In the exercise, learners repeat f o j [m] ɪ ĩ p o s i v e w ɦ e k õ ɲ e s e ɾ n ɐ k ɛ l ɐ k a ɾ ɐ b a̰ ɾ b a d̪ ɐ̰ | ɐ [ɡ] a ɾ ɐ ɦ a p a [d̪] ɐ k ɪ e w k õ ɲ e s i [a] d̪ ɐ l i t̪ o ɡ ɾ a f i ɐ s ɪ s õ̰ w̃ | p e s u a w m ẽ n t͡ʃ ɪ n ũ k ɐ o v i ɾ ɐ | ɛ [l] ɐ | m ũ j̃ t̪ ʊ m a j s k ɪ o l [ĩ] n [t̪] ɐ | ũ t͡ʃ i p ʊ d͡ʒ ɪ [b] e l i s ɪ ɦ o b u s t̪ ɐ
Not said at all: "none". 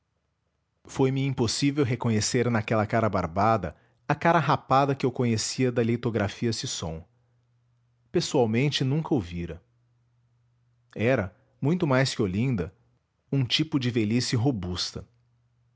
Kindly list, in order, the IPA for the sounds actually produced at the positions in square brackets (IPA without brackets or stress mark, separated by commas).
m, k, d̪, ɐ, ɾ, ĩ, d̪, v